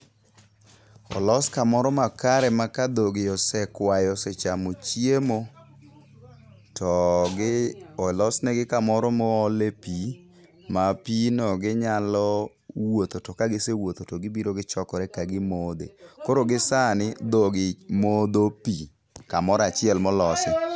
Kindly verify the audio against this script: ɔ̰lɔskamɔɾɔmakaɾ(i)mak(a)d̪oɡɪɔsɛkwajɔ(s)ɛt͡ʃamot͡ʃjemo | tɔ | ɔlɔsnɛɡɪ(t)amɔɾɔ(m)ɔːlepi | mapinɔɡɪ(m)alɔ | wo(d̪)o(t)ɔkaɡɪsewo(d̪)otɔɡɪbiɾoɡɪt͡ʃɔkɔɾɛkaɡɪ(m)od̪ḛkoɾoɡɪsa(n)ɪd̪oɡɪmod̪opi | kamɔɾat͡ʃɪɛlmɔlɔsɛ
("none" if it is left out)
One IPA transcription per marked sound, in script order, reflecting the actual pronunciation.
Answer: ɛ, a, s, k, m, ɲ, t̪, t, t̪, m, n

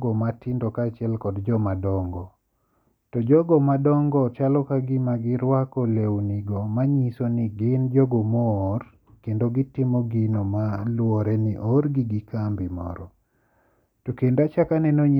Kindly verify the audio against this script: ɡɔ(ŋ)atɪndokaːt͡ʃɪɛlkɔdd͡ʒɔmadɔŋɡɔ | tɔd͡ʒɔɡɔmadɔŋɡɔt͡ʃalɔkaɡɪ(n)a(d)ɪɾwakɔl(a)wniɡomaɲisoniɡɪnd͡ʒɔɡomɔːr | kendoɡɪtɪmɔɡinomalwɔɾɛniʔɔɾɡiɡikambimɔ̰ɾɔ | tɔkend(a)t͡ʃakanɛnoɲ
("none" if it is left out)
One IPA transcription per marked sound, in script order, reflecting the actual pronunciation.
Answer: m, m, ɡ, e, a

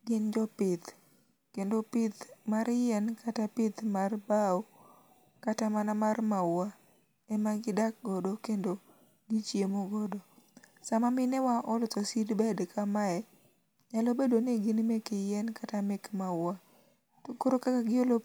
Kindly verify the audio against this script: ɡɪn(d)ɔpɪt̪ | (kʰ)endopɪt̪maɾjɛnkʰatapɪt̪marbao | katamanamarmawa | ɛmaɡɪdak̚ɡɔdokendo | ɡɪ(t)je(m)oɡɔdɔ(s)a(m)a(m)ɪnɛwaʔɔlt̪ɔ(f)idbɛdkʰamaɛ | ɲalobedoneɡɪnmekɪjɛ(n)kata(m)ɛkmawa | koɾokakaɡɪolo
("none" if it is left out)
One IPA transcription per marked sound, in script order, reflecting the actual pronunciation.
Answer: d͡ʒ, k, t͡ʃ, m, s, m, m, s, n, m

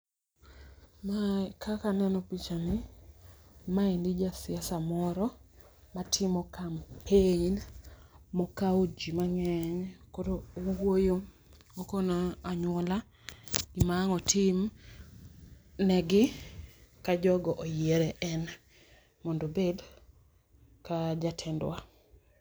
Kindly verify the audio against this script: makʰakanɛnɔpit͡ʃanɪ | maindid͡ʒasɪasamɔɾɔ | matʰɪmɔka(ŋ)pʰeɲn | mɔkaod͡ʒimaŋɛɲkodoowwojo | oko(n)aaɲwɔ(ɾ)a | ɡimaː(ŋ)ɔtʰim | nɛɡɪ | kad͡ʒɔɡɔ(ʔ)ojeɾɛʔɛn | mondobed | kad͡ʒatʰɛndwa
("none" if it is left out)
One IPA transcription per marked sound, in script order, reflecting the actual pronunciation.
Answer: m, n, l, ŋ, ʔ

